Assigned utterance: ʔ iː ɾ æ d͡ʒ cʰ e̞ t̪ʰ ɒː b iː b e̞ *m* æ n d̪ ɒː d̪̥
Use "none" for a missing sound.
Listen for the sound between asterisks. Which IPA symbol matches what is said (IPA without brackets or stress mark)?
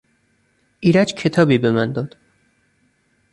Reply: m